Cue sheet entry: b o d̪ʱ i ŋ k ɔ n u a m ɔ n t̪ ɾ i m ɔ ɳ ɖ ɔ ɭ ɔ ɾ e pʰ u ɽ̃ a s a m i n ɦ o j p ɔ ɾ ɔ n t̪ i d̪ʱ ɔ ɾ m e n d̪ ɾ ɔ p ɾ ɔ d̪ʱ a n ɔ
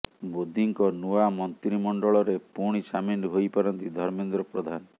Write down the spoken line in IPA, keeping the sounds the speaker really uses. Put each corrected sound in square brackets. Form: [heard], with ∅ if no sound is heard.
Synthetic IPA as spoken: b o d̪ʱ i ŋ k ɔ n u a m ɔ n t̪ ɾ i m ɔ ɳ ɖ ɔ ɭ ɔ ɾ e [p] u ɽ̃ [i] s a m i n ɦ o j p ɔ ɾ ɔ n t̪ i d̪ʱ ɔ ɾ m e n d̪ ɾ ɔ p ɾ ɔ d̪ʱ a n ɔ